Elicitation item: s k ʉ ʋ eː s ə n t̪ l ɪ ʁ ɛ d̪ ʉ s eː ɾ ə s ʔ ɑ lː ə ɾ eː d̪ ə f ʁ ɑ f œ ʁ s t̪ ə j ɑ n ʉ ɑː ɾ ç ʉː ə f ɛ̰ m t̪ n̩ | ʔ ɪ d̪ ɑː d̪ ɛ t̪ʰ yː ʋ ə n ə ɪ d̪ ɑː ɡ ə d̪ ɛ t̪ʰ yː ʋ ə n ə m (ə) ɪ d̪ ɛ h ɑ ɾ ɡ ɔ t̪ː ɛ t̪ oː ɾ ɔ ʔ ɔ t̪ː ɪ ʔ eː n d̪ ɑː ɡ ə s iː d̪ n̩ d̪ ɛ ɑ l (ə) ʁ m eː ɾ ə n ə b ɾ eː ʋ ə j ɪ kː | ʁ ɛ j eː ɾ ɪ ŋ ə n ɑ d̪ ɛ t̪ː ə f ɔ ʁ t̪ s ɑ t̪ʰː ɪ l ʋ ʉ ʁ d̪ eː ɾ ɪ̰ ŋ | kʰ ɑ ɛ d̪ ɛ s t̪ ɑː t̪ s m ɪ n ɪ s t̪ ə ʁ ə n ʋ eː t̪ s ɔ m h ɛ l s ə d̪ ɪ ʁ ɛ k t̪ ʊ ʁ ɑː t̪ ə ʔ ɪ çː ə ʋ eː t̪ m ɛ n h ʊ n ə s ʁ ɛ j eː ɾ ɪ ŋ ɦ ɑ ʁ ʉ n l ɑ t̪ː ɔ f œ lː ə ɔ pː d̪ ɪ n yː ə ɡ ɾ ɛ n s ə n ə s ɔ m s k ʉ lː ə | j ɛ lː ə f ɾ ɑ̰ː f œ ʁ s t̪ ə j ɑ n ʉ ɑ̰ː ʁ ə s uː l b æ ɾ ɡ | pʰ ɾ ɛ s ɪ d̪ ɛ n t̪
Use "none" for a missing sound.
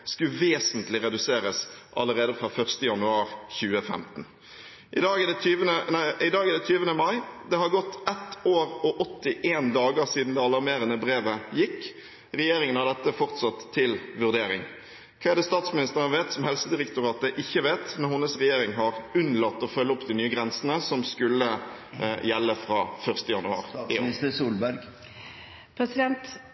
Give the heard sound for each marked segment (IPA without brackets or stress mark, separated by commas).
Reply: ɑ, ɑ